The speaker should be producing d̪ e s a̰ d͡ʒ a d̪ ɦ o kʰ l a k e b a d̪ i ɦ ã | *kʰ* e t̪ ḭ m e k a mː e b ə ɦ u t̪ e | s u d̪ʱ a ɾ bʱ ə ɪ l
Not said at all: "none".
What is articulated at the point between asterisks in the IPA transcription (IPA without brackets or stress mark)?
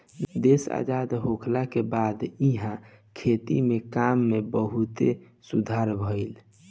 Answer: kʰ